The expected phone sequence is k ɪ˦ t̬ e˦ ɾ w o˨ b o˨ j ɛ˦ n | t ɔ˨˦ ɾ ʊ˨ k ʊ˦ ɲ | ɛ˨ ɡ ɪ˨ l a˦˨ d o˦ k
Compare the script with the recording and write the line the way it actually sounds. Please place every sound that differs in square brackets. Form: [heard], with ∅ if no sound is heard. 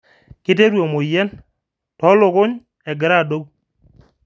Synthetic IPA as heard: k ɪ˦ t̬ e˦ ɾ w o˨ [m] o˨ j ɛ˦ n | t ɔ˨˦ [l] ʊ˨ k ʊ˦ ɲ | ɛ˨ ɡ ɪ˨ [ɾ] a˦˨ d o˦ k

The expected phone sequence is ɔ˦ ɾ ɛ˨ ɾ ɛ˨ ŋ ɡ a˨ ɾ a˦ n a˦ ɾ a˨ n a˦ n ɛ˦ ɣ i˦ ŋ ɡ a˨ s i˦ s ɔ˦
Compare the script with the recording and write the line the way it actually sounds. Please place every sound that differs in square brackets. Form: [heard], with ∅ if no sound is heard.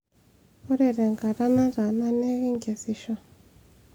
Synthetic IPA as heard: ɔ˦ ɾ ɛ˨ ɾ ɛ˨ ŋ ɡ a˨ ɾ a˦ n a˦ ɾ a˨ n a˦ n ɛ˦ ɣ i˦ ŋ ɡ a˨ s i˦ [ʃ] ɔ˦

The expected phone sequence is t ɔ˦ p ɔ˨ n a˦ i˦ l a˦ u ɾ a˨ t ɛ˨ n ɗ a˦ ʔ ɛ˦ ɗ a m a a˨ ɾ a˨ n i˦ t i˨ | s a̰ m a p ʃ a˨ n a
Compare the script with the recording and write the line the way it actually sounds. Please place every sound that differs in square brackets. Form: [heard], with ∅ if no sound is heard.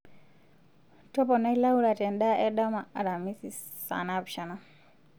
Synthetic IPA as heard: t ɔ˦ p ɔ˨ n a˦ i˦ l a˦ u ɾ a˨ t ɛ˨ n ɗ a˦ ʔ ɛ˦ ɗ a m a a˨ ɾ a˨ [m] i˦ [s] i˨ | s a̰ [n] a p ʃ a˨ n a

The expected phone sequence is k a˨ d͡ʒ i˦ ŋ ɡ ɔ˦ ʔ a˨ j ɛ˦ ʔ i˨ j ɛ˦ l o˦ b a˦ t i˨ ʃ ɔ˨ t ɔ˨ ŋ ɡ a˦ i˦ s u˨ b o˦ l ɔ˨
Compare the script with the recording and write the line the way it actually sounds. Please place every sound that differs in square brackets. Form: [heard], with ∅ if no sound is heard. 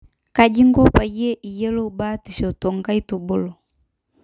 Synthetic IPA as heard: k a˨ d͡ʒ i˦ ŋ ɡ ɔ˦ [p] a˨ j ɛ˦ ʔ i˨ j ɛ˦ l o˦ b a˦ t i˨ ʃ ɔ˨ t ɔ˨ ŋ ɡ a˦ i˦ [t] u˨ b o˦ l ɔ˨

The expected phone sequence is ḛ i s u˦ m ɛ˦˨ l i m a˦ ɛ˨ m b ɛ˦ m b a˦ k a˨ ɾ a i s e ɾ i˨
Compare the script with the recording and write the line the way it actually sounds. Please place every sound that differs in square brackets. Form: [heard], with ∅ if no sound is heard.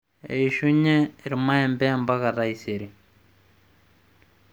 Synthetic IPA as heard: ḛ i [ʃ] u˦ [ɲ] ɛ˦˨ [ɾ] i m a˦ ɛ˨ m b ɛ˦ m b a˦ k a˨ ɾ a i s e ɾ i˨

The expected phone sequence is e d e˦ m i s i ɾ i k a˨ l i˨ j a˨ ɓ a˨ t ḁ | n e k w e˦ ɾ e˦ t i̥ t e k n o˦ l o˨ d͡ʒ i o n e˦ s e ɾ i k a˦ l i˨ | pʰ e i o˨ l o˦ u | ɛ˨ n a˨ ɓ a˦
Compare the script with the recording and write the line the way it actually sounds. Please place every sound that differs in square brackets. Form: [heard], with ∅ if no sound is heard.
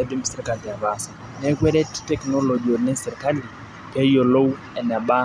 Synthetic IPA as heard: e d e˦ m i s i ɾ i k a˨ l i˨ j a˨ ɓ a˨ [s] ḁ | n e k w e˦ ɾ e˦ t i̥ t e k n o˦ l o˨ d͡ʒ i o n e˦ s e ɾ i k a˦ l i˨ | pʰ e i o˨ l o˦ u | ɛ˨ n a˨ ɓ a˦

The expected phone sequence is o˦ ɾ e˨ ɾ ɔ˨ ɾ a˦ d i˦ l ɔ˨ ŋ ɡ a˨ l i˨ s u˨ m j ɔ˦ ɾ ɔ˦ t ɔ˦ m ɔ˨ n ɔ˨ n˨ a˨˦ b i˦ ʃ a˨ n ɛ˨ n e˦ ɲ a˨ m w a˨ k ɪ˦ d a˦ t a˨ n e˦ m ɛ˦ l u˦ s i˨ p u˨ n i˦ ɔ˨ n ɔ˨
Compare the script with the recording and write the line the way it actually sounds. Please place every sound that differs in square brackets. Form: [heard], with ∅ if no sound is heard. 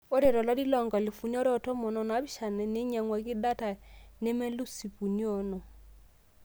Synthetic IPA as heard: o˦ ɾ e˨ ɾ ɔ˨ [l] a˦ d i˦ l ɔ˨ ŋ ɡ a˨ l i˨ [f] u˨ [n] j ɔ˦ ɾ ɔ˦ t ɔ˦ m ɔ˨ n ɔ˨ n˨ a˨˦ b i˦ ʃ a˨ n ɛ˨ n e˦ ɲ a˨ [ŋ] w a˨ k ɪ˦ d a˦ t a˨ n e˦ m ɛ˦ l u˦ s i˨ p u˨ n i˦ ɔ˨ n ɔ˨

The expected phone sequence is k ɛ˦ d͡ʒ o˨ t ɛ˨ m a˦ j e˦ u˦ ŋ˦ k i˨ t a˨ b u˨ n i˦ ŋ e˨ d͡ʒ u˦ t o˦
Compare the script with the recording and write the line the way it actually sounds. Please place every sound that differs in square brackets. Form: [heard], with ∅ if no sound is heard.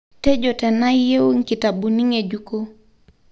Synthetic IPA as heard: [t] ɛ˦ d͡ʒ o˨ t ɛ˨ [n] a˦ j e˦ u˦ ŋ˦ k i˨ t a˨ b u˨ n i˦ ŋ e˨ d͡ʒ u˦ [k] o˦

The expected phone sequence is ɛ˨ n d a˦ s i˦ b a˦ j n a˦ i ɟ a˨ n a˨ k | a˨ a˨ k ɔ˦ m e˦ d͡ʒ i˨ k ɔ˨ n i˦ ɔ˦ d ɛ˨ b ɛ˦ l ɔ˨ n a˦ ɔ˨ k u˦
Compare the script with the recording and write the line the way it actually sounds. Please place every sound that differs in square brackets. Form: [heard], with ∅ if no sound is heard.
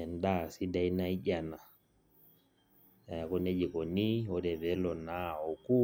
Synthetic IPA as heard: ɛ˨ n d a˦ s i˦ [d] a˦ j n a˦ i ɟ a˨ n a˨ [∅] | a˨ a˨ k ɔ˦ [n] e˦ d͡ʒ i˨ k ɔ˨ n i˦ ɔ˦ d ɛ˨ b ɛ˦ l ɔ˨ n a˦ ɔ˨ k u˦

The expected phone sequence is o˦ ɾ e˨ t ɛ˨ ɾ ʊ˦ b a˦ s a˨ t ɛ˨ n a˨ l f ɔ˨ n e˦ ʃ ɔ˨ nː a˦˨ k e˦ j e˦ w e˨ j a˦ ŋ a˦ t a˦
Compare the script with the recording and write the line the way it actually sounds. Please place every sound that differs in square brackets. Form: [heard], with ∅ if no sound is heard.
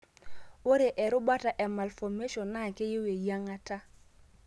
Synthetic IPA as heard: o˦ ɾ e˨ [ʔ] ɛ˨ ɾ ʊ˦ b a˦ [t] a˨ [ʔ] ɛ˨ [m] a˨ l f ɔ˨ [m] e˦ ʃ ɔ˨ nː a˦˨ k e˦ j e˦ w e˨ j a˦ ŋ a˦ t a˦

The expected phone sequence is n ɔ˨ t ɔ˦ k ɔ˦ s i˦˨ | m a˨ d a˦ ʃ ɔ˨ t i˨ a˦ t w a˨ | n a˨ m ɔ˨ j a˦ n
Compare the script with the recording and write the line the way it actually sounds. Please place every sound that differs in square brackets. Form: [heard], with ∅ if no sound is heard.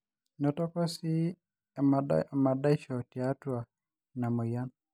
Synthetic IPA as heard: n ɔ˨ t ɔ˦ k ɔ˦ s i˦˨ | m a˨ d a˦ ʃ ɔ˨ t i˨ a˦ t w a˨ | n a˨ m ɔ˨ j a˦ n

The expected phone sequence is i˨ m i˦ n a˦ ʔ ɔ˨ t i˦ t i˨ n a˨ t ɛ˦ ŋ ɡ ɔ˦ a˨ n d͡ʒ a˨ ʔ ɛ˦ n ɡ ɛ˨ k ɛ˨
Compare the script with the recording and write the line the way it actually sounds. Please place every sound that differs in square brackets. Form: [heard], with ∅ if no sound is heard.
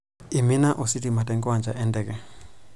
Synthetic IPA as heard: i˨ m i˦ n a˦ ʔ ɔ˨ [s] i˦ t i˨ [m] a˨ t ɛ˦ ŋ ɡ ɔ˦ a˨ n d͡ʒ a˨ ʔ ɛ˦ n [d] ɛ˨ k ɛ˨

